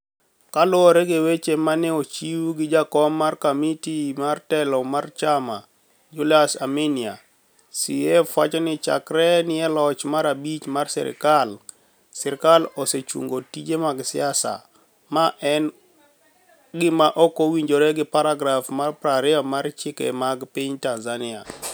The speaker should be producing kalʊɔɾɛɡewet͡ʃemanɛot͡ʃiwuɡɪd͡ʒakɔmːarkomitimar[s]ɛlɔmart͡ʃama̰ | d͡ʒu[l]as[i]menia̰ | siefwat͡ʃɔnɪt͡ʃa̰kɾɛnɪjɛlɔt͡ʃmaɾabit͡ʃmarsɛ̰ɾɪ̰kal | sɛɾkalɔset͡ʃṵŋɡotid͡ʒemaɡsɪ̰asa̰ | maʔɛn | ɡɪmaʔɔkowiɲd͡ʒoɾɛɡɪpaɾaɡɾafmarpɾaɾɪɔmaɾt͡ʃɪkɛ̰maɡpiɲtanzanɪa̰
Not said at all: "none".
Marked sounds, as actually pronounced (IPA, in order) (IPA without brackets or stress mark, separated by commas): t, l, a